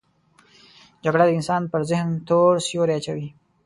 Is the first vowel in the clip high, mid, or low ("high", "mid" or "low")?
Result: low